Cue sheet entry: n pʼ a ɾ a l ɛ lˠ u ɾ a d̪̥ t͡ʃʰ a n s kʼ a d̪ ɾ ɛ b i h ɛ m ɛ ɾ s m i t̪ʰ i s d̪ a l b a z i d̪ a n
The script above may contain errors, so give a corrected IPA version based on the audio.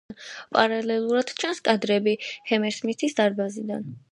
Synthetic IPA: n pʼ a ɾ a l ɛ lˠ u ɾ a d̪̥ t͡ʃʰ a n s kʼ a d̪ ɾ ɛ b i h ɛ m ɛ ɾ s m i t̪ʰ i s d̪ a ɾ b a z i d̪ a n